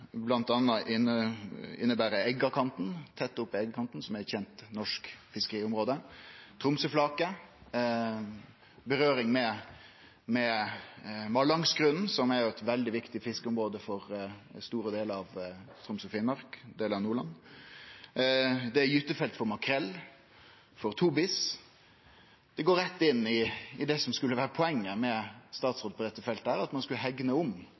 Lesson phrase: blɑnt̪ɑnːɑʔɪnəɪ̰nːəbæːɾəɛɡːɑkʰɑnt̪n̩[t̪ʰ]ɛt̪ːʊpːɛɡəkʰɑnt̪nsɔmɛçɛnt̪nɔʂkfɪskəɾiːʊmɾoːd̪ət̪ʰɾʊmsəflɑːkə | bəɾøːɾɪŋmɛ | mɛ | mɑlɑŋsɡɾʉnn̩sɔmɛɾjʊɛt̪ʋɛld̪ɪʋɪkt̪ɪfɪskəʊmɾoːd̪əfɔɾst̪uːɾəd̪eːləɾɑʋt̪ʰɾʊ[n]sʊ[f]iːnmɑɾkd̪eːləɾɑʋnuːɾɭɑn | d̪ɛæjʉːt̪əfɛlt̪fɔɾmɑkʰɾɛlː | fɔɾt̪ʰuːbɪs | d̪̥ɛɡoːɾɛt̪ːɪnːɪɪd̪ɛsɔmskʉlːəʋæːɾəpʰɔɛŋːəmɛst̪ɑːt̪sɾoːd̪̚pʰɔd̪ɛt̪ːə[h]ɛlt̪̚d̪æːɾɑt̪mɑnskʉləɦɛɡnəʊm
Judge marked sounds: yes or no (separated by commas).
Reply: yes, no, yes, no